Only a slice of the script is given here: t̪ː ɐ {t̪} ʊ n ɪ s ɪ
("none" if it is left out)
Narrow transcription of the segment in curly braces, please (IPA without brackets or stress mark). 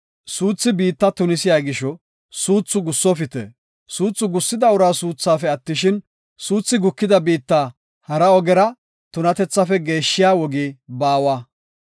t̪